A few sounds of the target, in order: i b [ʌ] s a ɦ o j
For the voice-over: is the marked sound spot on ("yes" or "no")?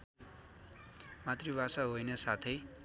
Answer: no